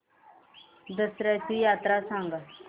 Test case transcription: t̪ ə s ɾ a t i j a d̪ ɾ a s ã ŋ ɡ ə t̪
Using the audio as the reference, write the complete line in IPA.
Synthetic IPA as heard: d̪ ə s ɾ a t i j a t̪ ɾ a s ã ŋ ɡ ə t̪

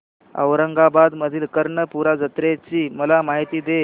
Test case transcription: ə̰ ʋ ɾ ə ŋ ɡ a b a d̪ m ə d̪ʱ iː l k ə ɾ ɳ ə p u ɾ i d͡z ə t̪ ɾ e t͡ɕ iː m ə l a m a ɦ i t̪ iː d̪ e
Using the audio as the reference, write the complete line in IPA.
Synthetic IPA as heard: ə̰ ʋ ɾ ə ŋ ɡ a b a d̪ m ə d̪ʱ iː l k ə ɾ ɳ ə p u ɾ a d͡z ə t̪ ɾ e t͡ɕ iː m ə l a m a ɦ i t̪ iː d̪ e

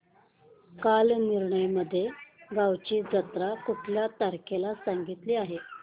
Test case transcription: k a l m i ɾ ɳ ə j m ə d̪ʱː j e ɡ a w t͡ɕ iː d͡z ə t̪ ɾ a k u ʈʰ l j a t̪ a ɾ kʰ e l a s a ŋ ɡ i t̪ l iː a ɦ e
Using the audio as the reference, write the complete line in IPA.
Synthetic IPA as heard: k a l n i ɾ ɳ ə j m ə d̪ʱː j e ɡ a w t͡ɕ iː d͡z ə t̪ ɾ a k u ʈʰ l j a t̪ a ɾ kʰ e l a s a ŋ ɡ i t̪ l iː a ɦ e

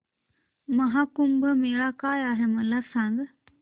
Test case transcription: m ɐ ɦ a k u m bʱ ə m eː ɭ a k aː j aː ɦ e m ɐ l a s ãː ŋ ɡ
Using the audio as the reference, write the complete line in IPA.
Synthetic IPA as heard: m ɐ ɦ a k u m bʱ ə m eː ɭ a k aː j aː ɦ e m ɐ l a s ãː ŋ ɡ

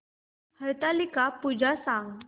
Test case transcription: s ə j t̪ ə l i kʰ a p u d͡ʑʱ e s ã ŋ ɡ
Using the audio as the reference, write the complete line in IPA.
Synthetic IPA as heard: h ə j t̪ a l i k a p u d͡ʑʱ a s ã ŋ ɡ

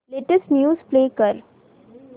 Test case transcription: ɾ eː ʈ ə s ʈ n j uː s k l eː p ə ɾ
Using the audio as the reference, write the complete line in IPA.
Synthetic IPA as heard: l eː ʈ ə s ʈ n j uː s p l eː k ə ɾ

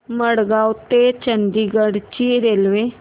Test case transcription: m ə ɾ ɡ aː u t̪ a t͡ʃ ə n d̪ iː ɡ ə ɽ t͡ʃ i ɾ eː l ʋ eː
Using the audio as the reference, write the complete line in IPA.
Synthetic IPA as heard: m ə ɽ ɡ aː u t̪ e t͡ʃ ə n d̪ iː ɡ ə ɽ t͡ʃ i ɾ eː l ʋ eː

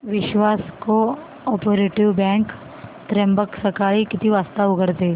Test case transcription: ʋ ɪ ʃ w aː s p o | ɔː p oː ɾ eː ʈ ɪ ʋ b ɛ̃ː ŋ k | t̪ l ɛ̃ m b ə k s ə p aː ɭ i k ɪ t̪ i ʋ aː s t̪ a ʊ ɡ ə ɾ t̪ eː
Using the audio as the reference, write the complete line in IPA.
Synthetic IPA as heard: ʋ ɪ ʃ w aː s k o | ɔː p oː ɾ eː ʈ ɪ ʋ b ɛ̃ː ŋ k | t̪ ɾ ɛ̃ m b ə k s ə k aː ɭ i k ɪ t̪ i ʋ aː s t̪ a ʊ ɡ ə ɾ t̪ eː

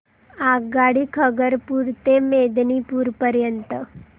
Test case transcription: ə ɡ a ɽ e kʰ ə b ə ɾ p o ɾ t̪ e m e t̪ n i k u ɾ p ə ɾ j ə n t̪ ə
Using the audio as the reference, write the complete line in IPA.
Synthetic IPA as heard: a ɡ a ɽ i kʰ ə ɡ ə ɾ p u ɾ t̪ e m e d̪ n i p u ɾ p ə ɾ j ə n t̪ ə

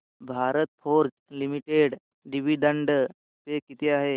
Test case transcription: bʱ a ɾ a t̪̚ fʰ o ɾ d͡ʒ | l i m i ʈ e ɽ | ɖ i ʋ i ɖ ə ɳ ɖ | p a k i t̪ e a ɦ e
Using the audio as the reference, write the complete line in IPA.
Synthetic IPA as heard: bʱ a ɾ ə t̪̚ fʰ o ɾ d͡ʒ | l i m i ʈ e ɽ | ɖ i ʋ i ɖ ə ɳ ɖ | p e k i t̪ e a ɦ e

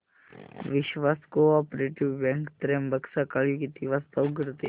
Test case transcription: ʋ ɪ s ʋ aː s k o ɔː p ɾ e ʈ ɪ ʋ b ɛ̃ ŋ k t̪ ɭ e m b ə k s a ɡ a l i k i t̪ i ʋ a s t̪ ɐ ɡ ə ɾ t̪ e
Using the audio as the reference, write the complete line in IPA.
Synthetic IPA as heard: ʋ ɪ ʃ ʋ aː s k o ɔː p ɾ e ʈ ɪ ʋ b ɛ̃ ŋ k t̪ ɾ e m b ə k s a k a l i k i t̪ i ʋ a s t̪ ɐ ɡ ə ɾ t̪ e

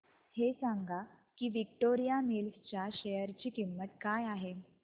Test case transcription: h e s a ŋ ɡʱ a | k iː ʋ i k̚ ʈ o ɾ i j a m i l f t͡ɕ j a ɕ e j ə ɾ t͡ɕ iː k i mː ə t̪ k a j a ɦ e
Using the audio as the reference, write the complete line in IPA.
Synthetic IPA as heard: h e s a ŋ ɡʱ a | k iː ʋ i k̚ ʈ o ɾ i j a m i l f t͡ɕ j a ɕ e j ə ɾ t͡ɕ iː k i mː ə t̪ k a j a ɦ e

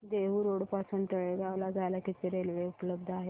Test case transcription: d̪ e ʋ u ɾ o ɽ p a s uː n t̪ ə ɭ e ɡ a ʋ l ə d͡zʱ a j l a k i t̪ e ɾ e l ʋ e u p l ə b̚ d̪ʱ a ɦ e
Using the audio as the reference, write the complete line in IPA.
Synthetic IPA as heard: d̪ e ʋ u ɾ o ɽ p a s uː n t̪ ə ɭ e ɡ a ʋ l a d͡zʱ a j l a k i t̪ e ɾ e l ʋ e u p l ə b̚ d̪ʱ a ɦ e

